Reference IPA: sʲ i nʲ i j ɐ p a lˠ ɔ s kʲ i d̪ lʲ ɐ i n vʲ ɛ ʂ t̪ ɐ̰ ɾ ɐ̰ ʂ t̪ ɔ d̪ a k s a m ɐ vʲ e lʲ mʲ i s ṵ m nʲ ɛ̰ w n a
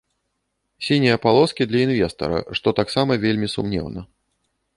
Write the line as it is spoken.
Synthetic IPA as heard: sʲ i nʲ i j ɐ p a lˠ ɔ s kʲ i d̪ lʲ ɐ i n vʲ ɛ s t̪ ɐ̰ ɾ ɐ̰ ʂ t̪ ɔ t̪ a k s a m ɐ vʲ e lʲ mʲ i s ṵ m nʲ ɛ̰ w n ɐ